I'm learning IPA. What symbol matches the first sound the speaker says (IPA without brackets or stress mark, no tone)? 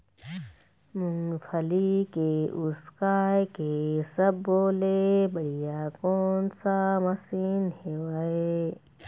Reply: m